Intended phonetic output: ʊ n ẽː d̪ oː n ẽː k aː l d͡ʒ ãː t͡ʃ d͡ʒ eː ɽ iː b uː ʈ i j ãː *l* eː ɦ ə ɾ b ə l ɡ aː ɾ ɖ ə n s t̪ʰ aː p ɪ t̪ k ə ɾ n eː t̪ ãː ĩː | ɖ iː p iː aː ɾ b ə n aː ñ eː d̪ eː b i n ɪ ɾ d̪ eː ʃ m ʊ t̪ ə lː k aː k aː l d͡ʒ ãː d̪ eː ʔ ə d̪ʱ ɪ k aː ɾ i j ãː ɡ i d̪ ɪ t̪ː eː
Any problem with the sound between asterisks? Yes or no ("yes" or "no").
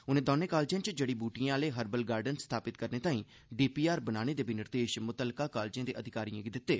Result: no